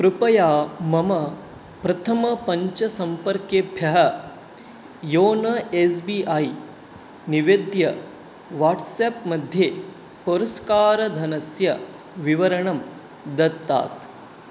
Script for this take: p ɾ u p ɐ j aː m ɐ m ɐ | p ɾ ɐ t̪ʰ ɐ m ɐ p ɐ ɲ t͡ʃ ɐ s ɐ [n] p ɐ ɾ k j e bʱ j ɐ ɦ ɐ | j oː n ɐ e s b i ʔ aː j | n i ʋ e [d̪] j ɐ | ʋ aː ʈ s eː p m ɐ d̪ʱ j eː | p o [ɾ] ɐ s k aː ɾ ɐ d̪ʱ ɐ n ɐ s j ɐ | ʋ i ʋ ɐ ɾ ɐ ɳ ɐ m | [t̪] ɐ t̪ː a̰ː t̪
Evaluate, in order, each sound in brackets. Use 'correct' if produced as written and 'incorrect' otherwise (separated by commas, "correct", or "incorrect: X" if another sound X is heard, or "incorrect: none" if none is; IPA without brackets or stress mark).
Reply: incorrect: m, correct, correct, incorrect: d̪